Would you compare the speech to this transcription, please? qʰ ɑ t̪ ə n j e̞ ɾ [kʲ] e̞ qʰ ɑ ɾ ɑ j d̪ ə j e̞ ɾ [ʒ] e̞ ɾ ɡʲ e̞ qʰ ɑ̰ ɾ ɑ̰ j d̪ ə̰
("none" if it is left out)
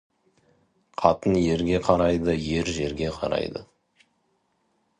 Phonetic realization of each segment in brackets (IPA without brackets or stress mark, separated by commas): ɡʲ, ʒ